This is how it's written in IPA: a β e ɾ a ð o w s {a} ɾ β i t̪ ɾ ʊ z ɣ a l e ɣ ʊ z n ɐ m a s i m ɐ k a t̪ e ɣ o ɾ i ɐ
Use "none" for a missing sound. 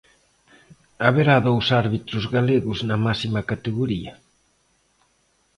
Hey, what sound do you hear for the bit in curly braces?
a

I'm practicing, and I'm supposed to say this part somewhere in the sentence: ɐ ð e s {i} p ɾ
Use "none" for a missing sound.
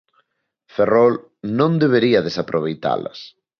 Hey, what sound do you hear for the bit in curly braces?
a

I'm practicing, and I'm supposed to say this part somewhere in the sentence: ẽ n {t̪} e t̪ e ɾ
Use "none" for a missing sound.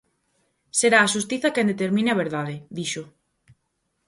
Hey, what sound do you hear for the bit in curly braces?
d̪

